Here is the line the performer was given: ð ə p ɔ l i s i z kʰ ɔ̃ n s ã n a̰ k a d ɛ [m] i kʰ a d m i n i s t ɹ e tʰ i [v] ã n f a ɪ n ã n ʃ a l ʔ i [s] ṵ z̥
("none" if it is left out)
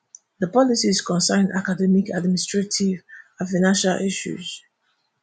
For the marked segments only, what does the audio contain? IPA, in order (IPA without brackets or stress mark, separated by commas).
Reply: m, v, ʃ